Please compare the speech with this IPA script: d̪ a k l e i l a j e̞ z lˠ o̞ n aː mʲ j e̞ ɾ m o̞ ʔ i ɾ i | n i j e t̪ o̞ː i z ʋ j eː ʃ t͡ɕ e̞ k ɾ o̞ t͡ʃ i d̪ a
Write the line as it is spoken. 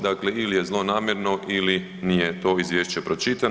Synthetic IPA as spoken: d̪ a k l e i l i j e̞ z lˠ o̞ n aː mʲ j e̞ ɾ n o̞ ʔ i l i | n i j e t̪ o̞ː i z ʋ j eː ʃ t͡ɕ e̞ p ɾ o̞ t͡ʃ i t̪ a

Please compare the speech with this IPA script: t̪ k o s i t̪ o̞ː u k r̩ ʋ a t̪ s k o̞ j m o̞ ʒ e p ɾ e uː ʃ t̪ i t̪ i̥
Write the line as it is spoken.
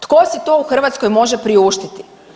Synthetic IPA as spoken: t̪ k o s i t̪ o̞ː u x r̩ ʋ a t̪ s k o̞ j m o̞ ʒ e p ɾ i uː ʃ t̪ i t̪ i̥

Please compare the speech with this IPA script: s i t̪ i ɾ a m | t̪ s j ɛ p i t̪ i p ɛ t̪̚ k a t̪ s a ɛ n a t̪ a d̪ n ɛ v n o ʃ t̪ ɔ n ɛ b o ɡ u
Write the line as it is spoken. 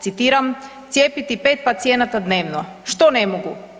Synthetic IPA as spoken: s i t̪ i ɾ a m | t̪ s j ɛ p i t̪ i p ɛ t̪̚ p a t̪ s i ɛ n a t̪ a d̪ n ɛ v n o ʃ t̪ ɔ n ɛ m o ɡ u

